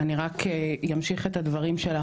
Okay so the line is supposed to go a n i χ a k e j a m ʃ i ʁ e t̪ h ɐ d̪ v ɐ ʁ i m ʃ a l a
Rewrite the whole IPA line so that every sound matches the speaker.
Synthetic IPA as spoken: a n i ʁ a k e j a m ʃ i χ e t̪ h a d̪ v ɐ ʁ i m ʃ e l a

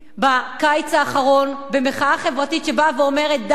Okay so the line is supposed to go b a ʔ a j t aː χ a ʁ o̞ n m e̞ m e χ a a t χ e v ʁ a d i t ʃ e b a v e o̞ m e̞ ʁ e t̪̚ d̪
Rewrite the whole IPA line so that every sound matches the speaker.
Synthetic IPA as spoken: b a k a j t͡s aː χ a ʁ o̞ n b e̞ m e χ a a χ e v ʁ a t i t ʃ e b a v e o̞ m e̞ ʁ e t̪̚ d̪

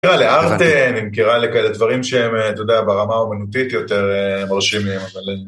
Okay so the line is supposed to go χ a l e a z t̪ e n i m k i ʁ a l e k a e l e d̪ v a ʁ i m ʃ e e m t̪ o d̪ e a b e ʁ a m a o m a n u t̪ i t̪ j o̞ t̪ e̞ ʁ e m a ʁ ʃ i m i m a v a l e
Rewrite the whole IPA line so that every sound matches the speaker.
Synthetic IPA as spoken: ʁ a l e a ʁ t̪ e n i m k i ʁ a l e k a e l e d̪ v a ʁ i m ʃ e e m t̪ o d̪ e a b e ʁ a m a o m a n u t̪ i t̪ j o̞ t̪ e̞ ʁ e m a ʁ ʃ i m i m a v a l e

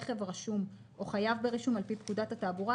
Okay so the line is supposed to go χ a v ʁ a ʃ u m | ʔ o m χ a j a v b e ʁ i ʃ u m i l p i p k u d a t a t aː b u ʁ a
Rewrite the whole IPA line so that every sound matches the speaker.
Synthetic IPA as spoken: χ e v ʁ a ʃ u m | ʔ o χ a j a v b e ʁ i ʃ u m a l p i p k u d a t a t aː b u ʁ a

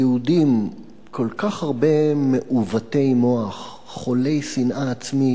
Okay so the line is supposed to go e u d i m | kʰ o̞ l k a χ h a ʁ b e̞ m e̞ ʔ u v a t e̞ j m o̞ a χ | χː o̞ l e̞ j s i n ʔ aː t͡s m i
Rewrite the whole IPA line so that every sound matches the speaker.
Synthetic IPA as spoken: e u d i m | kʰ o̞ l k a χ h a ʁ b e̞ m e̞ ʔ u v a t e̞ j m o̞ a χ | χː o̞ l e̞ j s i n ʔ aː t͡s m i

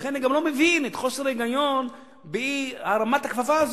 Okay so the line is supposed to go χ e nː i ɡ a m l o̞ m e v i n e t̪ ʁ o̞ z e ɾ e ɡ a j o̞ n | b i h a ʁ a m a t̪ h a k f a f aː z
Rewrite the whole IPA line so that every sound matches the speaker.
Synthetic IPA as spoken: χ e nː i ɡ a m l o̞ m e v i n e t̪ χ o̞ s e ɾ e ɡ a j o̞ n | b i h a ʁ a m a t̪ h a k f a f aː z

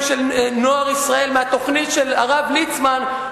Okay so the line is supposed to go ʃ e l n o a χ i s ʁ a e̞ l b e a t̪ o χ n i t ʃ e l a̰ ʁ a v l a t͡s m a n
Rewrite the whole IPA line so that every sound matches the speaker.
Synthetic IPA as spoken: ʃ e l n o a ʁ i s ʁ a e̞ l m e a t̪ o χ n i t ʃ e l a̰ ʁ a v l i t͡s m a n

